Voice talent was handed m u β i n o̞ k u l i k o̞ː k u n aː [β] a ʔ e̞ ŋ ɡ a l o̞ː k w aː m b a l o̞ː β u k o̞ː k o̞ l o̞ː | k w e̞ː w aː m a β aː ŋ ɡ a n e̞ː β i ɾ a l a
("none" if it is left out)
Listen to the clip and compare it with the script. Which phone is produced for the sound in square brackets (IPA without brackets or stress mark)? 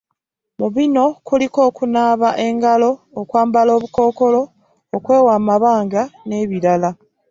β